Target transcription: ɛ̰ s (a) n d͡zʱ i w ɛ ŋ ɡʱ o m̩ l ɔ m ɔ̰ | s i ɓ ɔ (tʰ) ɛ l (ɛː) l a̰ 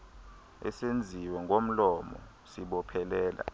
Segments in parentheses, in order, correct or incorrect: incorrect: e, incorrect: pʰ, correct

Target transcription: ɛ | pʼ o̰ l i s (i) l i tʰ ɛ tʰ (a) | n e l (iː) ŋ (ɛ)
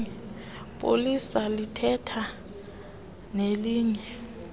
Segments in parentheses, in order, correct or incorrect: incorrect: a, correct, correct, correct

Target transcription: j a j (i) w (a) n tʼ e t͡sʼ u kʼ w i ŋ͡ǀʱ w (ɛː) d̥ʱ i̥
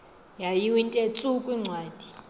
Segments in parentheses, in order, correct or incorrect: correct, incorrect: i, incorrect: aː

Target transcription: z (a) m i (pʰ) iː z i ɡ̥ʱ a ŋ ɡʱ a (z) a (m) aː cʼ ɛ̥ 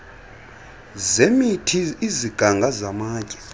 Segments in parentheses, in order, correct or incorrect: incorrect: e, incorrect: tʰ, correct, correct

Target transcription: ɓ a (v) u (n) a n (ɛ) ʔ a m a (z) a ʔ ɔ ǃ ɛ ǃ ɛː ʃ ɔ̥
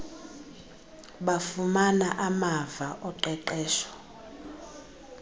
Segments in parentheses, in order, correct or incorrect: incorrect: f, incorrect: m, incorrect: a, incorrect: v

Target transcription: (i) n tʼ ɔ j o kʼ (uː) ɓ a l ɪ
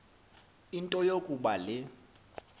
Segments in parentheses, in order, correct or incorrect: correct, incorrect: u

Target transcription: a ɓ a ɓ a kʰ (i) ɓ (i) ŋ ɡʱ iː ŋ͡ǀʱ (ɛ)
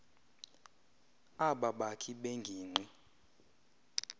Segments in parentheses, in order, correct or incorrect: correct, incorrect: e, incorrect: i

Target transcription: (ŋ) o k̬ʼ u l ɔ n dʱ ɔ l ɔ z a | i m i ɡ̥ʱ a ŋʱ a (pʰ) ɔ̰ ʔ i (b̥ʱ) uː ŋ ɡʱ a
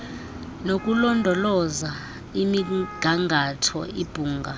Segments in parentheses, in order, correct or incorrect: incorrect: n, incorrect: tʰ, correct

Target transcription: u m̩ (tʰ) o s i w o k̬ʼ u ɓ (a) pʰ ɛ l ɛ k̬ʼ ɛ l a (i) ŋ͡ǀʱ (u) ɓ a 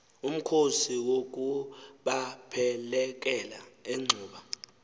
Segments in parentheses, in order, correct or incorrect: incorrect: kʰ, correct, incorrect: e, incorrect: uː

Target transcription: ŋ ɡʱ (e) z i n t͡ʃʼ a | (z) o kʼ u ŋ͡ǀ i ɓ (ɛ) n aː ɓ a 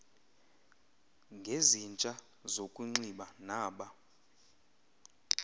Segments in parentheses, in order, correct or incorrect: correct, correct, incorrect: a

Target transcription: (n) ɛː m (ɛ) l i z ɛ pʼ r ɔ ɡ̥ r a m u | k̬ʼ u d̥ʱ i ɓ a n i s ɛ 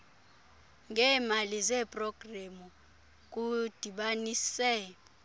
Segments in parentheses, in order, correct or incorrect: incorrect: ŋ, incorrect: a

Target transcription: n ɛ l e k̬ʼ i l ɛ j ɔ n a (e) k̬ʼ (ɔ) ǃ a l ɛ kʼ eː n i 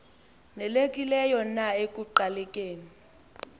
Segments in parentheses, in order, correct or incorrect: correct, incorrect: u

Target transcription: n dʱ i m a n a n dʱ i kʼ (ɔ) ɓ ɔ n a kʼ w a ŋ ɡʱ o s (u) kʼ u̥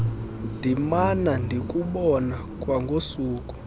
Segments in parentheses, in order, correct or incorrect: incorrect: u, incorrect: uː

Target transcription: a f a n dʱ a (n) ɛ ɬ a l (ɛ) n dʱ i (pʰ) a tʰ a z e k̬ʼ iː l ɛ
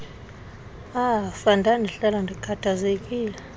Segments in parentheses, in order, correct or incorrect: correct, incorrect: a, incorrect: kʰ

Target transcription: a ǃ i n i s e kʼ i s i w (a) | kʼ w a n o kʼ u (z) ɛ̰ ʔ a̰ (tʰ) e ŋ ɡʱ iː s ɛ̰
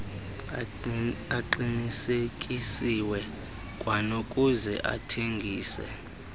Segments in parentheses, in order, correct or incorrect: incorrect: ɛ, correct, correct

